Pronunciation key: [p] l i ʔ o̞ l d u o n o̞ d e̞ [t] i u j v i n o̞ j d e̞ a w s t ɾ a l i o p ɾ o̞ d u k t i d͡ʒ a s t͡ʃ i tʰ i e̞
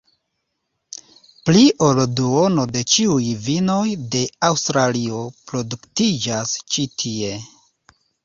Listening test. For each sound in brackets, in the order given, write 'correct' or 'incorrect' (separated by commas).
correct, incorrect